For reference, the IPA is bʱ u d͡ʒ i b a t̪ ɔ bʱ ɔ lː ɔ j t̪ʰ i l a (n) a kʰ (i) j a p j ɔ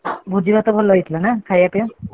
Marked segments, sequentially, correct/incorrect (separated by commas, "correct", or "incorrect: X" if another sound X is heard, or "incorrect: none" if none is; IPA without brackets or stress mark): correct, incorrect: a